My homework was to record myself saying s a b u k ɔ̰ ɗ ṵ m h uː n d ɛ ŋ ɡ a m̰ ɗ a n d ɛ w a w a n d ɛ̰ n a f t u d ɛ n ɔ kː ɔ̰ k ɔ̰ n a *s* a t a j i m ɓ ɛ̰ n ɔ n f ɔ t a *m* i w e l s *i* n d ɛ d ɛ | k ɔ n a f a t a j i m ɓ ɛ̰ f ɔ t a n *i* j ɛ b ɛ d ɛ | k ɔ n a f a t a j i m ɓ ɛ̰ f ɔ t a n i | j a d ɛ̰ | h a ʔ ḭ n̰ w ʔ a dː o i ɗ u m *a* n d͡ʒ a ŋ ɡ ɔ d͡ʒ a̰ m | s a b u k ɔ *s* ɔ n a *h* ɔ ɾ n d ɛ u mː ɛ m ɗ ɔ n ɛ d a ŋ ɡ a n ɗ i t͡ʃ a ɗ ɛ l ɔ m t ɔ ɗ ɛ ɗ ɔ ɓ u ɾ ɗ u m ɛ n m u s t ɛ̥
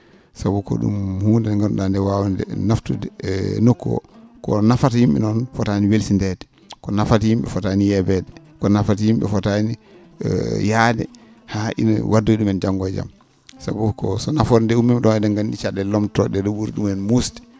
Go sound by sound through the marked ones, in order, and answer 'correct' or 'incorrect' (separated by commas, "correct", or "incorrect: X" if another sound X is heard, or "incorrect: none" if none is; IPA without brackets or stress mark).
incorrect: f, incorrect: n, correct, correct, incorrect: ɛ, correct, incorrect: f